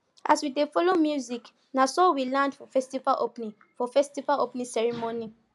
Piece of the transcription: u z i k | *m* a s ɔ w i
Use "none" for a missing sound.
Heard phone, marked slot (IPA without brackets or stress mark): n